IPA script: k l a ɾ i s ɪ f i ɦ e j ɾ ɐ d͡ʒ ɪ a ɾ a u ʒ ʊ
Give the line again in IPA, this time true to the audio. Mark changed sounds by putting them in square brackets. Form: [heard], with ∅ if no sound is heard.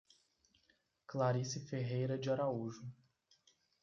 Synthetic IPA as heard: k l a ɾ i s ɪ f [e] ɦ e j ɾ ɐ d͡ʒ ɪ a ɾ a u ʒ ʊ